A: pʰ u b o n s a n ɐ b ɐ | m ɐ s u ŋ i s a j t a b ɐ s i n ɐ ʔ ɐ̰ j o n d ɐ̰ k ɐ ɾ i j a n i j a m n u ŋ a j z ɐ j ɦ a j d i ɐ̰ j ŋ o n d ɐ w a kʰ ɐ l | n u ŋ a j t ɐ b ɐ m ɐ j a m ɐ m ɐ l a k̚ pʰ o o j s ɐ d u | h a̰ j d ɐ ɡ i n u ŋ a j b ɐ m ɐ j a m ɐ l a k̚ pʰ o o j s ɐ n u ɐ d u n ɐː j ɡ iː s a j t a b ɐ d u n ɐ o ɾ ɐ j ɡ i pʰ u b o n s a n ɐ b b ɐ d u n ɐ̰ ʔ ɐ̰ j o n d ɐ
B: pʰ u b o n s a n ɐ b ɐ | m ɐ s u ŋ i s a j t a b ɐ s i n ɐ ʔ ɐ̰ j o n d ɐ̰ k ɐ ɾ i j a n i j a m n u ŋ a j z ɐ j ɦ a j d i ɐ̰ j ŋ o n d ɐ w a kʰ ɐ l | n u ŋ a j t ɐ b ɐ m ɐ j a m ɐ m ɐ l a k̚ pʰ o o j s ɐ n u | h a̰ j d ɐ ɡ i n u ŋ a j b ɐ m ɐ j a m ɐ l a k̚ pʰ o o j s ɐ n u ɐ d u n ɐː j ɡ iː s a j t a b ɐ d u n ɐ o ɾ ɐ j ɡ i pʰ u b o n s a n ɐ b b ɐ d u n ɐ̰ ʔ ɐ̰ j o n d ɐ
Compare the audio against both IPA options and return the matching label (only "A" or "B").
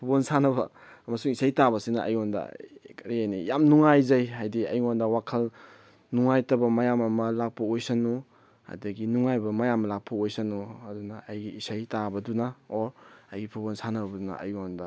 B